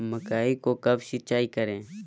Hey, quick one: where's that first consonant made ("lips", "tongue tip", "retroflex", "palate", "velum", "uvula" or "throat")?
lips